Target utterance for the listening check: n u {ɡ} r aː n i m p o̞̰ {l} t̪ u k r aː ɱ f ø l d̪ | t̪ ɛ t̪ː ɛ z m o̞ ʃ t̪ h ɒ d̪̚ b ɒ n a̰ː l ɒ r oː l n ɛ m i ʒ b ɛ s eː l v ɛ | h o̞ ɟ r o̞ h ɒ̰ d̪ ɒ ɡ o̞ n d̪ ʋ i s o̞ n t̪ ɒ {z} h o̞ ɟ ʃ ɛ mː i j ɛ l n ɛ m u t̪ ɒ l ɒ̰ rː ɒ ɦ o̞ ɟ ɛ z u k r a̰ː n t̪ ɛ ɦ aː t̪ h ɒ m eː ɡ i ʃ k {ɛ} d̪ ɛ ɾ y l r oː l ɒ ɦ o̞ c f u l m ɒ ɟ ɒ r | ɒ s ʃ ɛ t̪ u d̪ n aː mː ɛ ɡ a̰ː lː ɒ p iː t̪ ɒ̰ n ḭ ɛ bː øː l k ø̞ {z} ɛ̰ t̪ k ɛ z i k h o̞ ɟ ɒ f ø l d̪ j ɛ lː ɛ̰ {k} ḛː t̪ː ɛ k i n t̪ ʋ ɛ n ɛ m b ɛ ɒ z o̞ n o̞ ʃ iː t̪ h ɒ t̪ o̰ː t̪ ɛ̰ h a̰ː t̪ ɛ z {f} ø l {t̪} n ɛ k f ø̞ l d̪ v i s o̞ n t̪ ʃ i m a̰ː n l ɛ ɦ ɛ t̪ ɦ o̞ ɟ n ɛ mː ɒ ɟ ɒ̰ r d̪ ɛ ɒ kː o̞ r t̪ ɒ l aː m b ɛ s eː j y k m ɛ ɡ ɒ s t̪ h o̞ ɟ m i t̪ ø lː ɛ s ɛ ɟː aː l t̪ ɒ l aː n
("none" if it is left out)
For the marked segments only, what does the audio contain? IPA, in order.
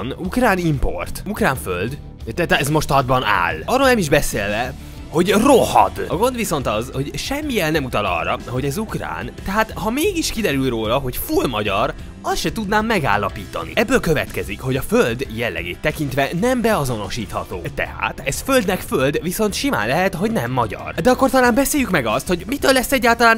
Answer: k, r, z, i, v, ɡ, f, d̪

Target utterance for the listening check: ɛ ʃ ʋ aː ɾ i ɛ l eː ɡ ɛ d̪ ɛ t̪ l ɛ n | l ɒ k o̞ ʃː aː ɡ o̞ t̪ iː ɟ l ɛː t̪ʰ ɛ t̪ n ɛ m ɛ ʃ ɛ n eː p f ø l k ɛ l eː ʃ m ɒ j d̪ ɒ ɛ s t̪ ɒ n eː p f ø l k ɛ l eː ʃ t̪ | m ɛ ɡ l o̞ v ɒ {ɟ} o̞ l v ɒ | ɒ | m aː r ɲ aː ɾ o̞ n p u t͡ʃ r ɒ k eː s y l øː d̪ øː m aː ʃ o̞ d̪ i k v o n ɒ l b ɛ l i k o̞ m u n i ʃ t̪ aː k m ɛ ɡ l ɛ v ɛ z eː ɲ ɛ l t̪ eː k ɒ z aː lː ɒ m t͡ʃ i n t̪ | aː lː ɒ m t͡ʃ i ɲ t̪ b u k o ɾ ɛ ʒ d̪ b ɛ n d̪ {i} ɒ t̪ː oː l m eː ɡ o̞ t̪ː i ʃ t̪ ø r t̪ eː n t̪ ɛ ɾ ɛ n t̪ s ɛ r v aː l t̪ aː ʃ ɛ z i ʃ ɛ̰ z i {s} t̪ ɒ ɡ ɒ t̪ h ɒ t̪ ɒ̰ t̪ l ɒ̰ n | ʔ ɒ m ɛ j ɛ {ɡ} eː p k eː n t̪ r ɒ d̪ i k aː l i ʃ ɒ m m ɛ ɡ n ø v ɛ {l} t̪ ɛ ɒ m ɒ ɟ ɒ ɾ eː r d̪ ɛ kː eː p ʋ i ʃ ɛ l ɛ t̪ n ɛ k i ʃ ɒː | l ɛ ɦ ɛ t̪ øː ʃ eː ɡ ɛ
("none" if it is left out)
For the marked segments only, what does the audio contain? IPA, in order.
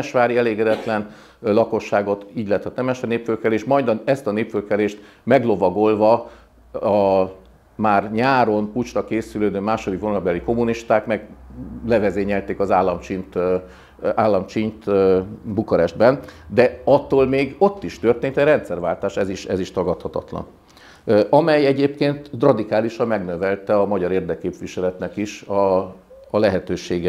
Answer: ɡ, ɛ, ʃ, ɟ, l

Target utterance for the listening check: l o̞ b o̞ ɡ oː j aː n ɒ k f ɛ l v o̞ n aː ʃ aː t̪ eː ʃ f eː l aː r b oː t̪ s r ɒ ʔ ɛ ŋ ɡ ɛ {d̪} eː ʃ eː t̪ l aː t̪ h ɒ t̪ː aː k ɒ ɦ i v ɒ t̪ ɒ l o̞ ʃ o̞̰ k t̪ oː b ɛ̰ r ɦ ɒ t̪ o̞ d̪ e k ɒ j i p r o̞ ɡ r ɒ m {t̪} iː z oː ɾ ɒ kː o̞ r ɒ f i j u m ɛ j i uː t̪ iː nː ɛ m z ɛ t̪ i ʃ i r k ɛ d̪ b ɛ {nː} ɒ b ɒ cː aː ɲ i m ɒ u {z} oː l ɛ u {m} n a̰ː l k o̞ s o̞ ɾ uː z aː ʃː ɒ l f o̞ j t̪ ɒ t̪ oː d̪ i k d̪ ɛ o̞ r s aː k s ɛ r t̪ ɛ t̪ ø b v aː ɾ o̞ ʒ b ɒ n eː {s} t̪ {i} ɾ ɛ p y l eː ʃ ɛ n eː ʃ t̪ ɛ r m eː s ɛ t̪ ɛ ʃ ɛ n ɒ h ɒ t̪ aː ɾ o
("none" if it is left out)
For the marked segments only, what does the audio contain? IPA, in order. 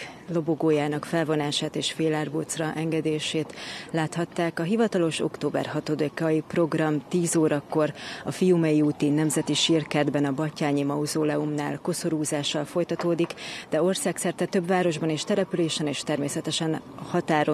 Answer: d̪, t̪, n, z, m, ʃ, ɛ

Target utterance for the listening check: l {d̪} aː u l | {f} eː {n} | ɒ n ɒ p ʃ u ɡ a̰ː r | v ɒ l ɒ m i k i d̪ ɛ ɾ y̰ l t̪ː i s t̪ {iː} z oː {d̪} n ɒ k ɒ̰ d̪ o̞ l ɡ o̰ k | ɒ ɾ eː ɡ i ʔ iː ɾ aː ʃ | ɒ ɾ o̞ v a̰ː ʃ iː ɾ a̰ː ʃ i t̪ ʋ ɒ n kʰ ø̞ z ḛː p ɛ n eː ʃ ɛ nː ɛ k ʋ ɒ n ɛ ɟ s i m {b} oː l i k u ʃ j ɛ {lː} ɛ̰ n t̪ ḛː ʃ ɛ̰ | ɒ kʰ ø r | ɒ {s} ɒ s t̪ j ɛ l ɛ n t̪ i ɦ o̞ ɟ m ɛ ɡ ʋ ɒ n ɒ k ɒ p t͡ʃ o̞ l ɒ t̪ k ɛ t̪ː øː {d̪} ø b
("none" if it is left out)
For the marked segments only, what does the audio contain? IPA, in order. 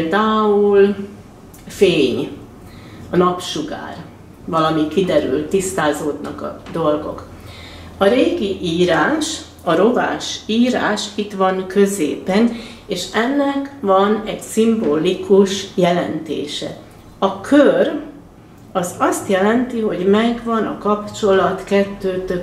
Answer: d̪, f, ɲ, aː, d̪, b, l, z, t̪

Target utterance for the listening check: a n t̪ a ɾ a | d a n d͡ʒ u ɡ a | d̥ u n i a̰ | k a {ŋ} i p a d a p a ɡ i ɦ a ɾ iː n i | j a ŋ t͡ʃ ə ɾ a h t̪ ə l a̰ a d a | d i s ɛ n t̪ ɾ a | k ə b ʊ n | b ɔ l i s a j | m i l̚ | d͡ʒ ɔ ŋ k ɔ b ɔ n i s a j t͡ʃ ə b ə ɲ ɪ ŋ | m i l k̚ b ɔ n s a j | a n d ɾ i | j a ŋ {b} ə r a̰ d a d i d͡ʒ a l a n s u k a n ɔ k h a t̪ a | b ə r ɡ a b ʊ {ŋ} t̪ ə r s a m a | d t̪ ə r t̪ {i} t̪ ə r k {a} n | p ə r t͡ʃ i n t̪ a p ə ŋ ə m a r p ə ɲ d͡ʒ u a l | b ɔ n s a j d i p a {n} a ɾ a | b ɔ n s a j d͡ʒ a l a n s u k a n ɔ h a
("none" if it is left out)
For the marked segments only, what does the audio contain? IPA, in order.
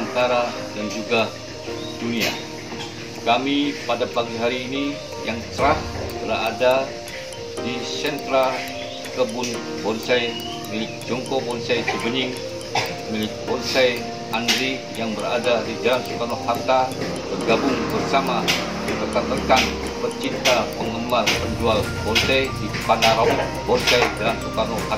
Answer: m, b, ŋ, a, a, n

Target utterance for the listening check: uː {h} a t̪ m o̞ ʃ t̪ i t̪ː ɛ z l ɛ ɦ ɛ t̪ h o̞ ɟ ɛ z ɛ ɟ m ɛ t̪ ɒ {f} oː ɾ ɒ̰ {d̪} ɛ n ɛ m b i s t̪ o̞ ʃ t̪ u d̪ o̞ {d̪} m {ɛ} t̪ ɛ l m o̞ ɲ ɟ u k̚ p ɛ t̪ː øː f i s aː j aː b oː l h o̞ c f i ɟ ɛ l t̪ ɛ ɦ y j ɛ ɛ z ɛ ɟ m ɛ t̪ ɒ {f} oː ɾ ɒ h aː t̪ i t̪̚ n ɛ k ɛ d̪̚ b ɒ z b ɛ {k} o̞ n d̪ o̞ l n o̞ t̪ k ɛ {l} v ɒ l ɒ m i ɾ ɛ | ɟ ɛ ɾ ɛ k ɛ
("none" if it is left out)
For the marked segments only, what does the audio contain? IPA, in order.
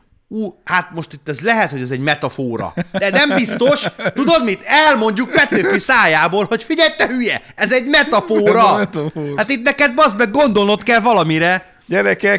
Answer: h, f, d̪, d̪, i, f, ɡ, l

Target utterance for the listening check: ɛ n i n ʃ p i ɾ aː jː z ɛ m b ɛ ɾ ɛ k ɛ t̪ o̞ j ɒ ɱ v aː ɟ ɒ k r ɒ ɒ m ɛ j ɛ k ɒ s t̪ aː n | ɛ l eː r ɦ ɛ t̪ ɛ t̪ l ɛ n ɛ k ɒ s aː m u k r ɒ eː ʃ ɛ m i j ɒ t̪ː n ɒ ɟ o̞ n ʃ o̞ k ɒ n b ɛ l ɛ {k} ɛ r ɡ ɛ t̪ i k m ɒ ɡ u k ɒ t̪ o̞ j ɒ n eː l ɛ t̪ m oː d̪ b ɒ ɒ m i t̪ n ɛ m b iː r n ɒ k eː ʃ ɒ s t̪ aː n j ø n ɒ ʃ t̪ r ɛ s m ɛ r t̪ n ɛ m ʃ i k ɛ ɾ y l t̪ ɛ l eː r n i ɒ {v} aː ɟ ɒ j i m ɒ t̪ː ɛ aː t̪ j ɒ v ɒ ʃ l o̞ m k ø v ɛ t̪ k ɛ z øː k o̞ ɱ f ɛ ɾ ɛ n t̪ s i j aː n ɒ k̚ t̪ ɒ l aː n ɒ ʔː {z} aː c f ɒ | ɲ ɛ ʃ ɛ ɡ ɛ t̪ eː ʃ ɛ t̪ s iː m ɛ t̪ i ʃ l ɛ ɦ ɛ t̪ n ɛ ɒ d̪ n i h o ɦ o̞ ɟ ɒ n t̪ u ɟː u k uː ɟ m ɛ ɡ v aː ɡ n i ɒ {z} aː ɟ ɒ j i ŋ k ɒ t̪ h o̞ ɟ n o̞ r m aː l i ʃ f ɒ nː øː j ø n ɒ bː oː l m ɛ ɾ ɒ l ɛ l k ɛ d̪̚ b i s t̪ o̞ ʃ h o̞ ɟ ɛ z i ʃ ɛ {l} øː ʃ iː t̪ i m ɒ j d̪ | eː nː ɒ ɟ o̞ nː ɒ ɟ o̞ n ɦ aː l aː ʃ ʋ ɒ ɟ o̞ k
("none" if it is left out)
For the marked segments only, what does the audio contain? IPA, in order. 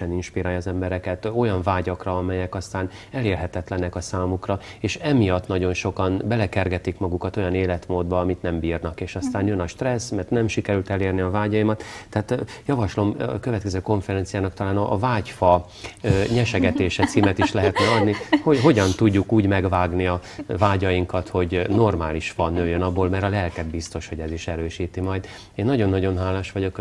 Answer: k, v, v, v, ɾ

